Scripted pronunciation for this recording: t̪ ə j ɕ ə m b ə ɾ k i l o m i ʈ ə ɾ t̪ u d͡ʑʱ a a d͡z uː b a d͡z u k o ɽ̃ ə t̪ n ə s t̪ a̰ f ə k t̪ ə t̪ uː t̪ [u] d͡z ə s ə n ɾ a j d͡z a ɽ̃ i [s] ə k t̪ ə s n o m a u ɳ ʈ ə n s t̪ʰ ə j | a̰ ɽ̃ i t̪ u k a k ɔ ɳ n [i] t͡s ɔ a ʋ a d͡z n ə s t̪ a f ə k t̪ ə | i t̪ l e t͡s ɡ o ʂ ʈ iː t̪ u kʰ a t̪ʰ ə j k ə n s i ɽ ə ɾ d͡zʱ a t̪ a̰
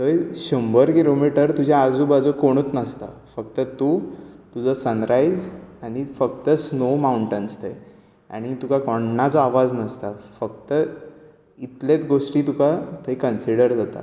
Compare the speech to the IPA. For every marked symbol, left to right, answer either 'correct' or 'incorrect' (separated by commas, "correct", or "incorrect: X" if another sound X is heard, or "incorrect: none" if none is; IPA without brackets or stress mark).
correct, incorrect: f, incorrect: a